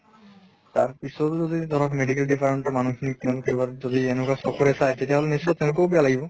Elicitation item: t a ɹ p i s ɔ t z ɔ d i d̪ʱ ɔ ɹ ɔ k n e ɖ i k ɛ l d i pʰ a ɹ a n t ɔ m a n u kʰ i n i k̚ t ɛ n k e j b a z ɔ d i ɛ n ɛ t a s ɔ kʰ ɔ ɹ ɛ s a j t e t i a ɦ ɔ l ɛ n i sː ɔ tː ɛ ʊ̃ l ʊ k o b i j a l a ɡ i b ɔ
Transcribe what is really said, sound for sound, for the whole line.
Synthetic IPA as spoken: t a ɹ p i s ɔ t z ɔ d i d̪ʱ ɔ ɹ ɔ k m e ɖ i k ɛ l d i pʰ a ɹ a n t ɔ m a n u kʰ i n i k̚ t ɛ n k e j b a z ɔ d i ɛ n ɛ k a s ɔ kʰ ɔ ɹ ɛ s a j t e t i a ɦ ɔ l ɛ n i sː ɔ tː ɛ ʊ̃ l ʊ k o b i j a l a ɡ i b ɔ